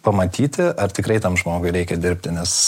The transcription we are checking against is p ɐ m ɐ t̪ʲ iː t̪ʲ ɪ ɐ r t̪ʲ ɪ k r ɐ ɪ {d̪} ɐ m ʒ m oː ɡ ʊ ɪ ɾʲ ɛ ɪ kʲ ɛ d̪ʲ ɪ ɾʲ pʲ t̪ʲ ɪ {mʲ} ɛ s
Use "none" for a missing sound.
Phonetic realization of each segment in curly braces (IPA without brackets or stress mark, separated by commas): t̪, nʲ